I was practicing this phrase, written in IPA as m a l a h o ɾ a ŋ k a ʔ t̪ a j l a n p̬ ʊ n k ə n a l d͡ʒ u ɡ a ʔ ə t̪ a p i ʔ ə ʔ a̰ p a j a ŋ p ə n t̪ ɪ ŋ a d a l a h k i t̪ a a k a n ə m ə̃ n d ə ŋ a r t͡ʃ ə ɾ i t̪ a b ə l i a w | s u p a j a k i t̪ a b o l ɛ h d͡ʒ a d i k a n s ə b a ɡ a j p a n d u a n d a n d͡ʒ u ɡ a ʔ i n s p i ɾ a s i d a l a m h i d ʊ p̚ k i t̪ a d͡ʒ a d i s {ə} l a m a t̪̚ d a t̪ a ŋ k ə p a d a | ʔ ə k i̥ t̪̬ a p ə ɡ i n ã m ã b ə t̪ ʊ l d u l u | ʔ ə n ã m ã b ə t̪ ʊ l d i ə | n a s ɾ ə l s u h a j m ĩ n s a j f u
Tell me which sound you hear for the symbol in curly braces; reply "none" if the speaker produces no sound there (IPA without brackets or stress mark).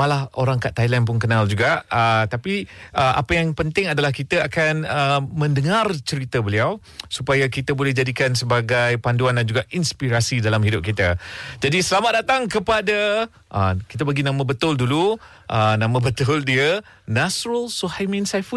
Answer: ə